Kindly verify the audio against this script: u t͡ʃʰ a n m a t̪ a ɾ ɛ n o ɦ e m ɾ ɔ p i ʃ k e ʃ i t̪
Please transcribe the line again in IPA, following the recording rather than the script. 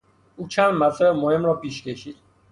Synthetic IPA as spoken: u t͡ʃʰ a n m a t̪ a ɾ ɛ m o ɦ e m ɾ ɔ p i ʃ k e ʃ i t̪

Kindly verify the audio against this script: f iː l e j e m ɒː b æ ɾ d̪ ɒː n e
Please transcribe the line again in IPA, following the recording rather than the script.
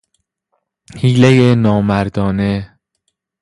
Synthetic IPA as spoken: h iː l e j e n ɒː m æ ɾ d̪ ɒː n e

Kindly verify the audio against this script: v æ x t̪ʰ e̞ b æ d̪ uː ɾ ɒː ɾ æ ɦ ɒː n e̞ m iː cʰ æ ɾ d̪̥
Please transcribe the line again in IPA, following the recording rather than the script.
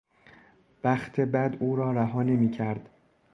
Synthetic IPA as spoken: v æ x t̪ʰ e̞ b æ d̪ uː ɾ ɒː ɾ æ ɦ ɒː n e̞ m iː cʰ æ ɾ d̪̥

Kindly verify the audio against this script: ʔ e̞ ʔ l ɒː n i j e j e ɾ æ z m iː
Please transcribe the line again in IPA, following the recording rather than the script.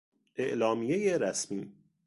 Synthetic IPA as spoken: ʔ e̞ ʔ l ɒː m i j e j e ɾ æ s m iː

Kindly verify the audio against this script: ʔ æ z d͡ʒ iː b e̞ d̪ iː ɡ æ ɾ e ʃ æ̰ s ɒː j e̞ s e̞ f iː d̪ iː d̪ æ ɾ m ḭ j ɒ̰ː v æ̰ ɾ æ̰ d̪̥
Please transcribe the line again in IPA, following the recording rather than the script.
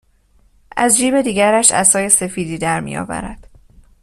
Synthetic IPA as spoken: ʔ æ z d͡ʒ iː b e̞ d̪ iː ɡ æ ɾ æ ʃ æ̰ s ɒː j e̞ s e̞ f iː d̪ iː d̪ æ ɾ m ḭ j ɒ̰ː v æ̰ ɾ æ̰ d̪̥

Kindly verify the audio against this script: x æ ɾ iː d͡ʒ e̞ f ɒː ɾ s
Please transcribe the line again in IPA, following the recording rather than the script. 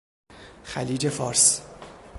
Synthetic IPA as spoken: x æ l iː d͡ʒ e̞ f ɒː ɾ s

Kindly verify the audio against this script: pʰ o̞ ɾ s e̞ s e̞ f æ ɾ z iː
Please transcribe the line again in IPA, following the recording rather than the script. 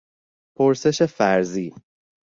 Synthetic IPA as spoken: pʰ o̞ ɾ s e̞ ʃ e̞ f æ ɾ z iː

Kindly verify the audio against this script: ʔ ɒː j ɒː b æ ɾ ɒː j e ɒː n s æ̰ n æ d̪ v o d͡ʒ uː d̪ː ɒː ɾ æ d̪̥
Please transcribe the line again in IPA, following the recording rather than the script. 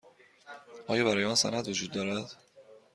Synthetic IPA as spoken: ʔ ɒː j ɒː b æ ɾ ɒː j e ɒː n s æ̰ n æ d̪ v o d͡ʒ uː d̪ː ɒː ɾ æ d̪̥

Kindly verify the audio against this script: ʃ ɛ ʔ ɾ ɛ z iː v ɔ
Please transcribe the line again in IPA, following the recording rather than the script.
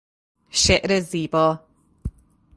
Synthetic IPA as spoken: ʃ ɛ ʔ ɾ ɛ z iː b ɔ

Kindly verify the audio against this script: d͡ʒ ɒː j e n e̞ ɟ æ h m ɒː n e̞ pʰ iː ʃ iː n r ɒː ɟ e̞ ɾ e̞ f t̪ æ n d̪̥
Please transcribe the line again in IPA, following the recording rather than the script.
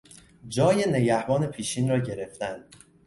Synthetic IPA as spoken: d͡ʒ ɒː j e n e̞ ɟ æ h b ɒː n e̞ pʰ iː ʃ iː n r ɒː ɟ e̞ ɾ e̞ f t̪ æ n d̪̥

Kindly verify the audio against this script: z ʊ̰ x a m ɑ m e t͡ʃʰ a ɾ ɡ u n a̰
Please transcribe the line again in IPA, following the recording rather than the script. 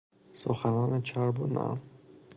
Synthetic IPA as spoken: s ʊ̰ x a n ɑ n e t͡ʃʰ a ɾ b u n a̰

